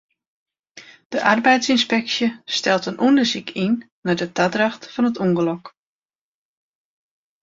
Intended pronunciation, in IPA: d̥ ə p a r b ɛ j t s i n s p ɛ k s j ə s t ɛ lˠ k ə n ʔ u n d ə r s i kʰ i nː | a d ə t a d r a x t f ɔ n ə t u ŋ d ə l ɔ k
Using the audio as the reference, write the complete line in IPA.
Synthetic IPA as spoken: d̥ ə ʔ a r b ɛ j t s i n s p ɛ k s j ə s t ɛ lˠ t ə n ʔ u n d ə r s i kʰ i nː | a d ə t a d r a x t f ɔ n ə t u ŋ ɡ ə l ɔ k